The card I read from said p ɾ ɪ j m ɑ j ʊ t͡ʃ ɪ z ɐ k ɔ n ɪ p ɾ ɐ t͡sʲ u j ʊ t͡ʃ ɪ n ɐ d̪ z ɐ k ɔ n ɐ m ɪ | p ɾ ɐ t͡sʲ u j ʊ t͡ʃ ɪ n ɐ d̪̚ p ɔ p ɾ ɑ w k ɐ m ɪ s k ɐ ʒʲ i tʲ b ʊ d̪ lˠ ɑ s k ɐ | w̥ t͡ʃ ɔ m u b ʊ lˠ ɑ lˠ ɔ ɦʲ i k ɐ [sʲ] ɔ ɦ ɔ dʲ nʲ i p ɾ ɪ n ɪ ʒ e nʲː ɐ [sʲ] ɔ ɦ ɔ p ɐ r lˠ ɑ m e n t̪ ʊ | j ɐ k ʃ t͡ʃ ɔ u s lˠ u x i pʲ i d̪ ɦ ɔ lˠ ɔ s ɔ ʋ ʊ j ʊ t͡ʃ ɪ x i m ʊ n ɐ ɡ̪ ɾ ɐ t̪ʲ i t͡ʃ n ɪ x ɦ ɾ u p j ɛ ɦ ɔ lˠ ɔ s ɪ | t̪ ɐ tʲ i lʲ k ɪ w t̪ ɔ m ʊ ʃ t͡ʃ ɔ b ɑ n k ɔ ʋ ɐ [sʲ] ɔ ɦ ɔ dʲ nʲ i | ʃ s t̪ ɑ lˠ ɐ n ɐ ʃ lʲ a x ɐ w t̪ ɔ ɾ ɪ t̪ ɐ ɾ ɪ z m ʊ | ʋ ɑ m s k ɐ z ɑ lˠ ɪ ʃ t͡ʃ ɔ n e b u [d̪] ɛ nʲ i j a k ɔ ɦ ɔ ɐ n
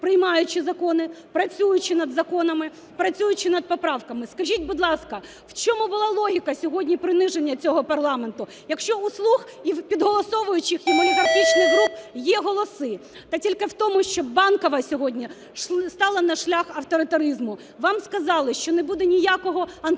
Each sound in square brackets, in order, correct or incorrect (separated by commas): correct, incorrect, correct, correct